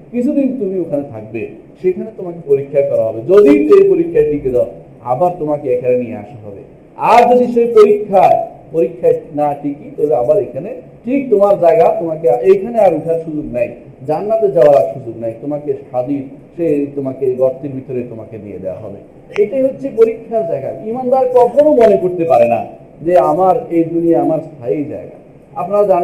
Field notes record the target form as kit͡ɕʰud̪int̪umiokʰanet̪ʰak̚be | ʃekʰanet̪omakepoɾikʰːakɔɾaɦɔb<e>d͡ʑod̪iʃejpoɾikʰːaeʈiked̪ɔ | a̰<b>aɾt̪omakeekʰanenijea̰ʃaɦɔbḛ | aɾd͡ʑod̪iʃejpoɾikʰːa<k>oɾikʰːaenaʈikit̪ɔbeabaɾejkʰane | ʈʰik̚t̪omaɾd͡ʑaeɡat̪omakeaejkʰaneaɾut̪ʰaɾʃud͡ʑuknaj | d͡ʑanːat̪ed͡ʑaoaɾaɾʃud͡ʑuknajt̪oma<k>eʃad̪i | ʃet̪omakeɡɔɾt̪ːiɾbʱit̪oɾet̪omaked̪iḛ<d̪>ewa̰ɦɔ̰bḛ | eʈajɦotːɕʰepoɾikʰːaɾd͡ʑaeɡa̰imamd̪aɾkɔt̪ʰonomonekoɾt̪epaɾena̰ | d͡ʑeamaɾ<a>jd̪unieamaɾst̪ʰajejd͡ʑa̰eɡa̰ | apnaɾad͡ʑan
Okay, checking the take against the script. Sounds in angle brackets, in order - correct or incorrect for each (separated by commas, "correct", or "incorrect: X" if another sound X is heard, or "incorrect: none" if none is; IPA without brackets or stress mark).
correct, correct, incorrect: p, correct, correct, incorrect: e